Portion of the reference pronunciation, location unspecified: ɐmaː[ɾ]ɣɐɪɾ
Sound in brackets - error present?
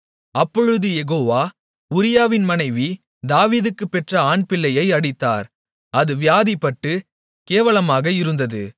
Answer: yes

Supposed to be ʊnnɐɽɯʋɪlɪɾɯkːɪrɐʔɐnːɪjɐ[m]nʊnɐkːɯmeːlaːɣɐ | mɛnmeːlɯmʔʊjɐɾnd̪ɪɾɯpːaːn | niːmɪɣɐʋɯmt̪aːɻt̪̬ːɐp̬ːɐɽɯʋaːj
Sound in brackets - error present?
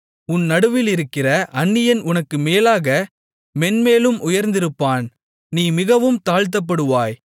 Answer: yes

